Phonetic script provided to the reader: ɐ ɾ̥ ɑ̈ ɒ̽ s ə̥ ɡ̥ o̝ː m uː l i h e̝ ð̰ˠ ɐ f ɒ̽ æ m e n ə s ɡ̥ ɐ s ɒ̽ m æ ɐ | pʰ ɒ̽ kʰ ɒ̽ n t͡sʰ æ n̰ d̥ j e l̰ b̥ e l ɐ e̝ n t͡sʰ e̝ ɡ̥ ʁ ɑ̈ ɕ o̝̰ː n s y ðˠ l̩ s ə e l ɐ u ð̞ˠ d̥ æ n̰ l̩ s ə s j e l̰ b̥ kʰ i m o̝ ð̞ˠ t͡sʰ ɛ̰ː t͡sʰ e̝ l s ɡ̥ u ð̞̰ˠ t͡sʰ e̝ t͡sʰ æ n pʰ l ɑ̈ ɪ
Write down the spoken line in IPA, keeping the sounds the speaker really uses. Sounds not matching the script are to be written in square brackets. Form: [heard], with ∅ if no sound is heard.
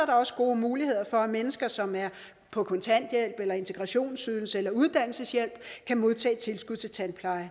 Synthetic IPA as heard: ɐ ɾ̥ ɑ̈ ɒ̽ s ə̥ ɡ̥ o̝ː m uː l i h e̝ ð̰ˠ ɐ f ɒ̽ æ m e n ə s ɡ̥ ɐ s ɒ̽ m æ ɐ | pʰ ɒ̽ kʰ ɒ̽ n t͡sʰ æ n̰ d̥ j e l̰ b̥ e l ɐ e̝ n t͡sʰ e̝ ɡ̥ ʁ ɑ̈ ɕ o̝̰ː n s y ðˠ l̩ s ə e l ɐ u ð̞ˠ d̥ æ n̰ l̩ s ə s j e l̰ b̥ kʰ [æ] m o̝ ð̞ˠ t͡sʰ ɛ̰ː t͡sʰ e̝ l s ɡ̥ u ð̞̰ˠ t͡sʰ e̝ t͡sʰ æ n pʰ l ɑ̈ ɪ

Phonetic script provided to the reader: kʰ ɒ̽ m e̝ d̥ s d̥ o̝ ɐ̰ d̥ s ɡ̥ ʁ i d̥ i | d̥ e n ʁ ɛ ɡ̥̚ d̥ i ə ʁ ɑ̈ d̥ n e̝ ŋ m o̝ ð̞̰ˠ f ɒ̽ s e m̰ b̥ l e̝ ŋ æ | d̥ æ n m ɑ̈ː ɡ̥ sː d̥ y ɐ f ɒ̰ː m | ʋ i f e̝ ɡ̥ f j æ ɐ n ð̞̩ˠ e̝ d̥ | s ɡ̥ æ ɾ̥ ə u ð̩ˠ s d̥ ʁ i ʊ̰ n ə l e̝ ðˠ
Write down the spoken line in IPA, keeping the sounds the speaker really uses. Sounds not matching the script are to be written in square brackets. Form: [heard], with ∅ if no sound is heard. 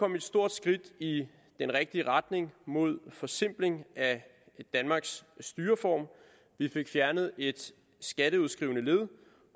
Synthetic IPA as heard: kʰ ɒ̽ m e̝ d̥ s d̥ o̝ ɐ̰ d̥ s ɡ̥ ʁ i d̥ i | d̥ e n ʁ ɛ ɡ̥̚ d̥ i ə ʁ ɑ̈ d̥ n e̝ ŋ m o̝ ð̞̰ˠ f ɒ̽ s e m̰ b̥ l e̝ ŋ æ | d̥ æ n m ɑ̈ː ɡ̥ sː d̥ [yː] ɐ f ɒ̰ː m | ʋ i f e̝ ɡ̥ f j æ ɐ n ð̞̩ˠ e̝ d̥ | s ɡ̥ æ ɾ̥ ə u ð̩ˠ s [ɡ̥] ʁ i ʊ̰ n ə l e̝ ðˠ

